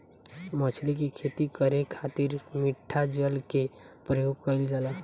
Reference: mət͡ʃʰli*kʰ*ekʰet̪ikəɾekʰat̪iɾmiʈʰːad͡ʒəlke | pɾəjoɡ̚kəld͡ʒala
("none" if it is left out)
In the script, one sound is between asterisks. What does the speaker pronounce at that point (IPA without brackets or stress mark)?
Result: k